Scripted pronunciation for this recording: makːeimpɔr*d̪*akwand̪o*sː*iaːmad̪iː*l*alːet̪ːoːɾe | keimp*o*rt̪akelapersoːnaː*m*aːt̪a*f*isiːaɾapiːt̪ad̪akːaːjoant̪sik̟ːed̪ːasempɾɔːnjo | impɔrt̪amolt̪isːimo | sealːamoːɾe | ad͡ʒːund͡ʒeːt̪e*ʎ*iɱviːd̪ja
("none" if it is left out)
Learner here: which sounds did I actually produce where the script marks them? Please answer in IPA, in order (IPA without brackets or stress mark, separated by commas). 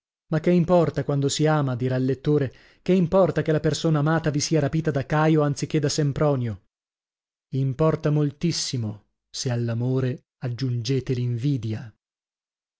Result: t̪, s, ɾ, ɔ, m, v, l